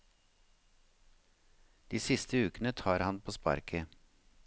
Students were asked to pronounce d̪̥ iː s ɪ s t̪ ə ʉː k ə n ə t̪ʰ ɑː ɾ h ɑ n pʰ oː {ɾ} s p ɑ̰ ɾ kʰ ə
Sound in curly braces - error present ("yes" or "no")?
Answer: yes